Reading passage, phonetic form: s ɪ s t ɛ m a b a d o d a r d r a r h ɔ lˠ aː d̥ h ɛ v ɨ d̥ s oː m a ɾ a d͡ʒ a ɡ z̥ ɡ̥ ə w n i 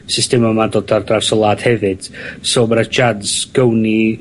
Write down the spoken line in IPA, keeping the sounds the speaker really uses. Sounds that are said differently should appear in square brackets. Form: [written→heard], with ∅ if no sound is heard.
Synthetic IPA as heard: s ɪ s t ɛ m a [b→m] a d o d a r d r a r [h→s] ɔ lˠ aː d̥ h ɛ v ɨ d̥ s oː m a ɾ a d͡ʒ a [ɡ→d] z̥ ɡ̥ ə w n i